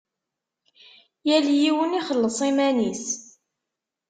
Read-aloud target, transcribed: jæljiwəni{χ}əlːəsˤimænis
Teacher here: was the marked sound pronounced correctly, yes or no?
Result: yes